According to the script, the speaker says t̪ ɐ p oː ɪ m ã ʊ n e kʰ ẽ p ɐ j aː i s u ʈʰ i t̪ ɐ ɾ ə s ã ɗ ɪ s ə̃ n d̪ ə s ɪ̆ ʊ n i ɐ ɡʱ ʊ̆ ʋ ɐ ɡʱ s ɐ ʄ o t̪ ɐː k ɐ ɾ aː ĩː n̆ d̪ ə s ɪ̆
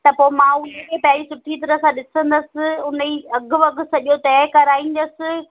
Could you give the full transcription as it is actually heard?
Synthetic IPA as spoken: t̪ ɐ p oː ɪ m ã ʊ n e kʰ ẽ p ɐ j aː i s ʊ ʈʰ i t̪ ɐ ɾ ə s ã ɗ ɪ s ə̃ n d̪ ə s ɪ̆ ʊ n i ɐ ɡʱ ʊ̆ ʋ ɐ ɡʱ s ɐ ʄ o t̪ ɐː k ɐ ɾ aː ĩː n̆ d̪ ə s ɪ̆